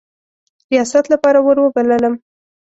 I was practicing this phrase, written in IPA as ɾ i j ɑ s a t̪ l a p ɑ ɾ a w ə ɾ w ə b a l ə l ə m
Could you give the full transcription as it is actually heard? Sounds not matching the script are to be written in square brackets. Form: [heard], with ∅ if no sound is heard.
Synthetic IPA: ɾ i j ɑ s a t̪ l a p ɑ ɾ a w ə ɾ w ə b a l ə l ə m